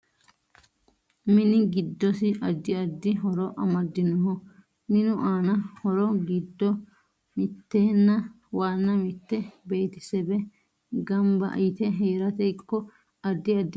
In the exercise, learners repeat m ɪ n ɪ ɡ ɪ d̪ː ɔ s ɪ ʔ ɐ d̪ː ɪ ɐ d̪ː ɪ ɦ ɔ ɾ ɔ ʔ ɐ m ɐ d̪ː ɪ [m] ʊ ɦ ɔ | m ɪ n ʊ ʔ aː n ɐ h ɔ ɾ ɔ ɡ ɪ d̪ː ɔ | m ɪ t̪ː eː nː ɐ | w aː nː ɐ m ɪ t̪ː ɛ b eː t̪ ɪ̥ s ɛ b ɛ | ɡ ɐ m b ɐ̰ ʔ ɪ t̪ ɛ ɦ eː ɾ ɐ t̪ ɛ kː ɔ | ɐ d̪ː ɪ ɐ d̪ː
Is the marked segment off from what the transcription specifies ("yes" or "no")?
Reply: yes